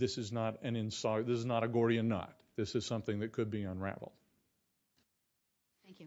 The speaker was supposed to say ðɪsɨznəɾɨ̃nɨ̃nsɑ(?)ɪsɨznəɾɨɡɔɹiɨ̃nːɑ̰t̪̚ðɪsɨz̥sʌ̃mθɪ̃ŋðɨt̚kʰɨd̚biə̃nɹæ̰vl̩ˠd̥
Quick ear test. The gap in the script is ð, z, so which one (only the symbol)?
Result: ð